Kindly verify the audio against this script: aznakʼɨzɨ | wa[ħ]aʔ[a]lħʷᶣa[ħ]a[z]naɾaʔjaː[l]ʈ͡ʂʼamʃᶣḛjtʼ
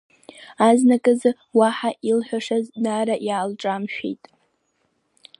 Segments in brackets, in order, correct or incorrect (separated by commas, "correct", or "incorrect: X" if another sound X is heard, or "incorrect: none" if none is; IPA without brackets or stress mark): correct, incorrect: i, incorrect: ʂ, correct, correct